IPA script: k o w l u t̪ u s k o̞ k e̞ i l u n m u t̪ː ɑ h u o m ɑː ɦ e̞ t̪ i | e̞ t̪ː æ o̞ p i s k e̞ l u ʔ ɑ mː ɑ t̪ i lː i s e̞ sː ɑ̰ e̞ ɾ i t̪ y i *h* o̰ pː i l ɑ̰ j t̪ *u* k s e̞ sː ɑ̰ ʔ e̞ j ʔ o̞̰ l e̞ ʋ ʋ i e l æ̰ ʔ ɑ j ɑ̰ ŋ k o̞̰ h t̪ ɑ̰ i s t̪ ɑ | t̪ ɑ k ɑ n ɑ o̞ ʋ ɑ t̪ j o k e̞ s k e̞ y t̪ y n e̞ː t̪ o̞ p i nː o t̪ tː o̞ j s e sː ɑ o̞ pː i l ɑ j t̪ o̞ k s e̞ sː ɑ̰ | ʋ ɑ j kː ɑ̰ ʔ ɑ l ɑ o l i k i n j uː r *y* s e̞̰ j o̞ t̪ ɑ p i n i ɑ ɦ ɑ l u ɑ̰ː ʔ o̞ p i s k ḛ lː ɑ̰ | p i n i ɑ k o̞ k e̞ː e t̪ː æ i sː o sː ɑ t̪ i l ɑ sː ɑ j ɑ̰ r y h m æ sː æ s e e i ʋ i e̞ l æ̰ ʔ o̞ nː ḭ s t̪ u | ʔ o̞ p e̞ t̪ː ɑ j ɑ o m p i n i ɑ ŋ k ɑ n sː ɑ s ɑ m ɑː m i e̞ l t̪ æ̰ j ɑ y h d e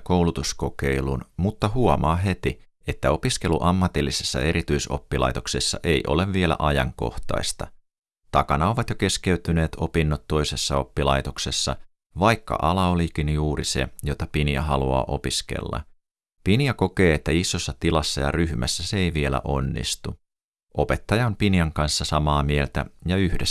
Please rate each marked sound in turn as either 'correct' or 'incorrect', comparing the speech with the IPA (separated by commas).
incorrect, incorrect, incorrect